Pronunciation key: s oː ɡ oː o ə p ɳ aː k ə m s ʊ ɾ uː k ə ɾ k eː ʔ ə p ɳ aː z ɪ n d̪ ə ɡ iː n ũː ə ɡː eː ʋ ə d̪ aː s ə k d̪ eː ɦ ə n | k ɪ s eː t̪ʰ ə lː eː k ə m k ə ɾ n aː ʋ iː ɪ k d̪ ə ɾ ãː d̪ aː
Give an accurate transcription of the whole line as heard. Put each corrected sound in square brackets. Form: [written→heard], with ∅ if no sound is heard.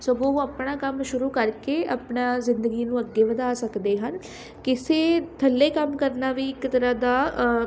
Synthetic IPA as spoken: s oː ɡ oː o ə p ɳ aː k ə m [s→ʃ] ʊ ɾ uː k ə ɾ k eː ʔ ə p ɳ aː z ɪ n d̪ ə ɡ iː n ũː ə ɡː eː ʋ ə d̪ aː s ə k d̪ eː ɦ ə n | k ɪ s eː t̪ʰ ə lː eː k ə m k ə ɾ n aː ʋ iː ɪ k [d̪→t̪] ə ɾ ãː d̪ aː